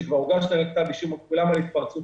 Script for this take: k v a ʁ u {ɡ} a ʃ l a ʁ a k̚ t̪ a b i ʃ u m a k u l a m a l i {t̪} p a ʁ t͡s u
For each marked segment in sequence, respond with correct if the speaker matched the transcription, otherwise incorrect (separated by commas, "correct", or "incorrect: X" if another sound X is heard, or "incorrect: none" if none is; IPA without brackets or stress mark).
correct, correct